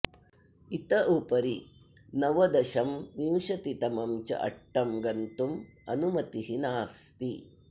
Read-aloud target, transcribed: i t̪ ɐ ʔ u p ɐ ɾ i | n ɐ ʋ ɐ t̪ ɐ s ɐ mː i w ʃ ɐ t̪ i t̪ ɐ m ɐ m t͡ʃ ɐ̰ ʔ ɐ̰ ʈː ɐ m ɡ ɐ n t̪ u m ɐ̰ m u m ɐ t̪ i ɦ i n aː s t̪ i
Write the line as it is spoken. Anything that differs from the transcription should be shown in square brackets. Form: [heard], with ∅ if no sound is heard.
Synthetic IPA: i t̪ ɐ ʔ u p ɐ ɾ i | n ɐ ʋ ɐ [d̪] ɐ [ʃ] ɐ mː i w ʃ ɐ t̪ i t̪ ɐ m ɐ m t͡ʃ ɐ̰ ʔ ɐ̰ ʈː ɐ m ɡ ɐ n t̪ u m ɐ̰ [n] u m ɐ t̪ i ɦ i n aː s t̪ i